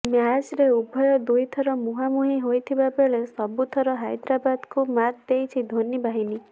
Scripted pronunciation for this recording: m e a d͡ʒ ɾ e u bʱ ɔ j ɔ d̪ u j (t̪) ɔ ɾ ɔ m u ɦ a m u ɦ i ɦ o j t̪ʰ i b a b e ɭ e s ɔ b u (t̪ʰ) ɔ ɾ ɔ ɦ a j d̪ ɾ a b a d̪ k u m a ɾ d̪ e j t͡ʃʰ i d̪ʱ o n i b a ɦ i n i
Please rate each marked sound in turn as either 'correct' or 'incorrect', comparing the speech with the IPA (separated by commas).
incorrect, correct